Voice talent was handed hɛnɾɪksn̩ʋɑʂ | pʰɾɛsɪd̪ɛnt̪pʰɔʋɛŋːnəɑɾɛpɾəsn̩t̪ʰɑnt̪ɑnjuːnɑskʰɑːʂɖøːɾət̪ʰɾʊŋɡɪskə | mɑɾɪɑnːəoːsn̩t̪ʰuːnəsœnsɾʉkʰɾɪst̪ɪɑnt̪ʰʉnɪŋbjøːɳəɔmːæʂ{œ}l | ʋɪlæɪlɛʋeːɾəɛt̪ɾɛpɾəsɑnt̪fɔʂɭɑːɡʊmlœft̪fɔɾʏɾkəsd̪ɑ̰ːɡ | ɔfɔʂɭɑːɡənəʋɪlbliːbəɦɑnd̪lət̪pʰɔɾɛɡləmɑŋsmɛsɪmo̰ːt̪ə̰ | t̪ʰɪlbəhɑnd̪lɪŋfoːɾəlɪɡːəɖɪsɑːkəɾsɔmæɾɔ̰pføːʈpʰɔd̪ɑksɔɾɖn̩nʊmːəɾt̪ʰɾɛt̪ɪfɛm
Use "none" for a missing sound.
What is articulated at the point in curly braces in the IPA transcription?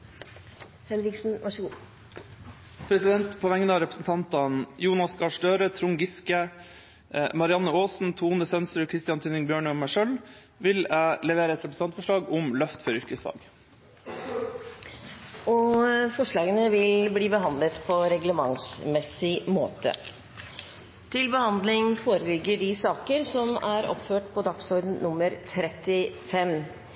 œ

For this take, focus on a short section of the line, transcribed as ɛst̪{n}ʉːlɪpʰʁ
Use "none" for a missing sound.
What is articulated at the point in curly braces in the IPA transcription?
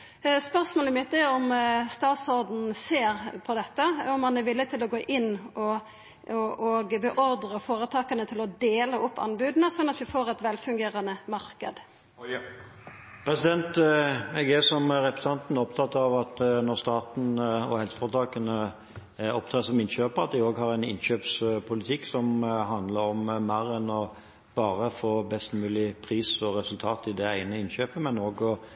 m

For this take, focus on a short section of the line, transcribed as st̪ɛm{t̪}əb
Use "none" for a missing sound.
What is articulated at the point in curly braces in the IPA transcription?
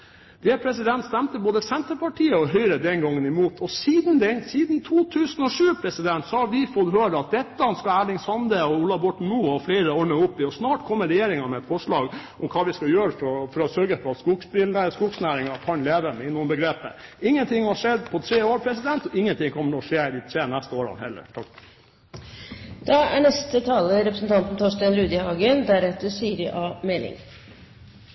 t̪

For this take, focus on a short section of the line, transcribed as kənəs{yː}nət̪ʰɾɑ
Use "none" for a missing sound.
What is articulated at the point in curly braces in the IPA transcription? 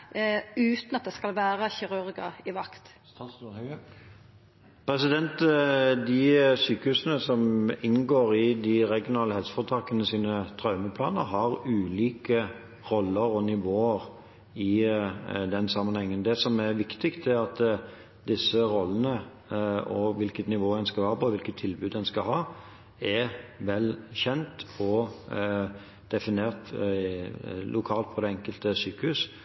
iː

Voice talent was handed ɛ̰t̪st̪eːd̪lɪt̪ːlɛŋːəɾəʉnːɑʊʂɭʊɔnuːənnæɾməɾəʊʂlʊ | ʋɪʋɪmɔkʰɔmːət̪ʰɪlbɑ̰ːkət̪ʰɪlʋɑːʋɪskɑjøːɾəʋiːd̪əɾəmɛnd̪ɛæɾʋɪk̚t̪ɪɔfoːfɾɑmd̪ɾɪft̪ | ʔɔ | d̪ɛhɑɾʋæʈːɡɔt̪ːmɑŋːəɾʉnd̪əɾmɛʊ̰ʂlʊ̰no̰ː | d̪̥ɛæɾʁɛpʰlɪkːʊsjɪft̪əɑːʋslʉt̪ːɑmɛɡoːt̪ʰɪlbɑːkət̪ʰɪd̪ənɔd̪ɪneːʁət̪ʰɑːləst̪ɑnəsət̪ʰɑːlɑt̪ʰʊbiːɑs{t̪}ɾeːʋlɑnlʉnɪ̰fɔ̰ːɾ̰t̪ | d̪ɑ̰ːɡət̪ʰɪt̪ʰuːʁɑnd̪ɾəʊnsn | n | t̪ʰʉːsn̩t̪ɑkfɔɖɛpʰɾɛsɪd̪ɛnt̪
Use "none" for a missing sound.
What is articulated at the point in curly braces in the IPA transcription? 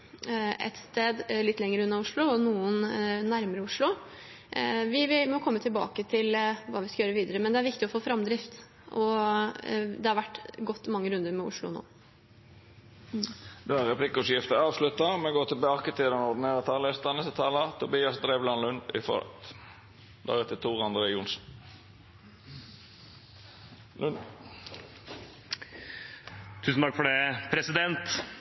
d̪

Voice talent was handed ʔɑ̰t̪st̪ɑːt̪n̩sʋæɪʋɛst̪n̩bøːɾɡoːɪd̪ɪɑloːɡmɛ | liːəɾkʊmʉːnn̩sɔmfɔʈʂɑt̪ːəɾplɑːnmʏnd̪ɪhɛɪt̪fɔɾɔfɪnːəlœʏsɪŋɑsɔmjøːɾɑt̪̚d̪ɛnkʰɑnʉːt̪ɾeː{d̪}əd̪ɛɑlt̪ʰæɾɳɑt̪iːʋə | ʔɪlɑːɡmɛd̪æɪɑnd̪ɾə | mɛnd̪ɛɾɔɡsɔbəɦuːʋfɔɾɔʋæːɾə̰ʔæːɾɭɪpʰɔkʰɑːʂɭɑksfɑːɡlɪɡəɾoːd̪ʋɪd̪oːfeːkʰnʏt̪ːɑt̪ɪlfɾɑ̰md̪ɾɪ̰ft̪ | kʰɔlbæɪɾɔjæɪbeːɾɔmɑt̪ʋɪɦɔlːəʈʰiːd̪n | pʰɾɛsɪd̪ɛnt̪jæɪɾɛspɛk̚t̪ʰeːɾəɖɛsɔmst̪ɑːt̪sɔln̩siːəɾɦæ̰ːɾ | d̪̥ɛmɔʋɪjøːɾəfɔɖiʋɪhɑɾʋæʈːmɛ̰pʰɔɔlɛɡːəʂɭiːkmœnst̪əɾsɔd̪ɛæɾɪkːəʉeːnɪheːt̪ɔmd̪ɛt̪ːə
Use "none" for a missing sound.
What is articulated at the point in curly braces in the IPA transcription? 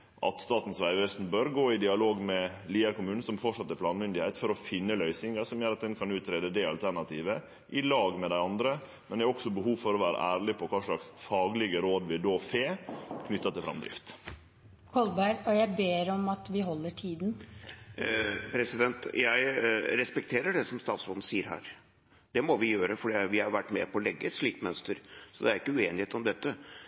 d̪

